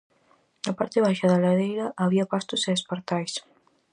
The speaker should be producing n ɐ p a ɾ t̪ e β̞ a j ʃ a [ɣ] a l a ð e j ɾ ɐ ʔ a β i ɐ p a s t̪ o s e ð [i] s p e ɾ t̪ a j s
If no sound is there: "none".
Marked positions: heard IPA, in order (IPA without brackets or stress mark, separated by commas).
ð, e